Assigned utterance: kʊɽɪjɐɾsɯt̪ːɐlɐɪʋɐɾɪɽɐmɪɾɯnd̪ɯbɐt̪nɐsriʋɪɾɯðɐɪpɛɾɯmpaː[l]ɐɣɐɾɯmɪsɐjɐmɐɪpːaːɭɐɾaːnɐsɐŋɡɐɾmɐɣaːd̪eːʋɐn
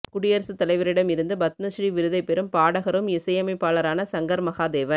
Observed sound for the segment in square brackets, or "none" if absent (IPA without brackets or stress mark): ɽ